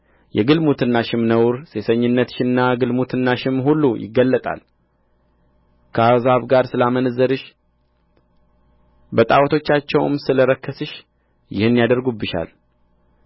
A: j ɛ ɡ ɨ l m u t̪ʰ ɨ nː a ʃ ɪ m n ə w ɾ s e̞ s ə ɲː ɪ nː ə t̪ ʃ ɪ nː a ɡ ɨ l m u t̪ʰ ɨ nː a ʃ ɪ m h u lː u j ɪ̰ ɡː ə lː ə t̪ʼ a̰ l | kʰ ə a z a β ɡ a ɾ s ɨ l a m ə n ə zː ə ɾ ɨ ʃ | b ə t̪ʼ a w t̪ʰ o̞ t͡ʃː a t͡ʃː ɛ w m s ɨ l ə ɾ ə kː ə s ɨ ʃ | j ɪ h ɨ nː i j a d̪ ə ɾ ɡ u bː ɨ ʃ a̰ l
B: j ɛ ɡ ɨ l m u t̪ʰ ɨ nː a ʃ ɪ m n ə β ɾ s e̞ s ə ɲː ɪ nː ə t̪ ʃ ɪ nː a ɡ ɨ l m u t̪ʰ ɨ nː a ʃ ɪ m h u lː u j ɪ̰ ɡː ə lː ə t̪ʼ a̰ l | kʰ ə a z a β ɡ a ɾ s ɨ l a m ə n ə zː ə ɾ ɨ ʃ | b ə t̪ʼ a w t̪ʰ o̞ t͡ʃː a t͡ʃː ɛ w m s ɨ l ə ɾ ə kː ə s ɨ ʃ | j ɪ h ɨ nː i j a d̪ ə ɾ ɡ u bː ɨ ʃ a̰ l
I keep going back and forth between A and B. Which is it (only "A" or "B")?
A